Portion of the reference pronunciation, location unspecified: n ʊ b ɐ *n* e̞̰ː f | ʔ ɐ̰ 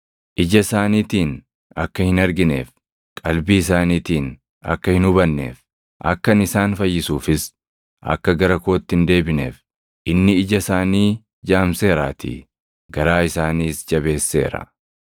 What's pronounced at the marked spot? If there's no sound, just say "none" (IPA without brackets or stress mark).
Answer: nː